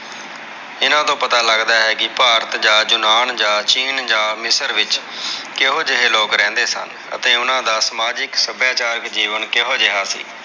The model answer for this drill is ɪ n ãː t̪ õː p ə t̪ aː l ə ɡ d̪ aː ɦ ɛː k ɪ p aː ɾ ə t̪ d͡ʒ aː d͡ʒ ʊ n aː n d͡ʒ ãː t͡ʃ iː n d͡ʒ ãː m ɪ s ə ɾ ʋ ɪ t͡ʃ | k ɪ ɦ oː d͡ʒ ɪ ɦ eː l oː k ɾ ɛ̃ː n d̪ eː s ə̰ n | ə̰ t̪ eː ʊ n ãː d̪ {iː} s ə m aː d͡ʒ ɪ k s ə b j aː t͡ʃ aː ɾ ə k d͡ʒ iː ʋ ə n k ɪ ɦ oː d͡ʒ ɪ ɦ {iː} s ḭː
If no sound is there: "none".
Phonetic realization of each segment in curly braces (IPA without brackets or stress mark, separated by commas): aː, aː